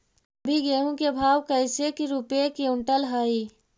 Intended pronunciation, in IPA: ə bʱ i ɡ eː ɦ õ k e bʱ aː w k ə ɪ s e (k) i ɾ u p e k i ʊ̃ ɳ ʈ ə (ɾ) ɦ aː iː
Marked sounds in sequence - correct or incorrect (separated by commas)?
correct, incorrect